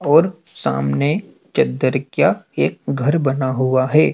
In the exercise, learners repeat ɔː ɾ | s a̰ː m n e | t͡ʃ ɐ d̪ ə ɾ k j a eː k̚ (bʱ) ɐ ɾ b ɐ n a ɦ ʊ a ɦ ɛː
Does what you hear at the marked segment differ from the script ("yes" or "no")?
yes